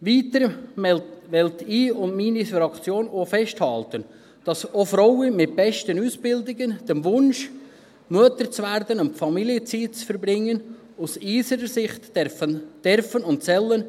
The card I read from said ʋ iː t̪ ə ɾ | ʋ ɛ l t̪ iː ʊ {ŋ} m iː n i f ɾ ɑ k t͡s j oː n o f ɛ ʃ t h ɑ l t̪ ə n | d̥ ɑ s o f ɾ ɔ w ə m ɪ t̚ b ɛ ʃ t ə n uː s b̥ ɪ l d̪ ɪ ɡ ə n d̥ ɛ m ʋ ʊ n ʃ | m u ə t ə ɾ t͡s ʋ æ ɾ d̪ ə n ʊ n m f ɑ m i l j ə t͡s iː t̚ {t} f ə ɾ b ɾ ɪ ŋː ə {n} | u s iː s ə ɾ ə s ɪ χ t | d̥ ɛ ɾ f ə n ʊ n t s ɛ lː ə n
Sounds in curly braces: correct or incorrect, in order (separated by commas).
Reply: incorrect, incorrect, correct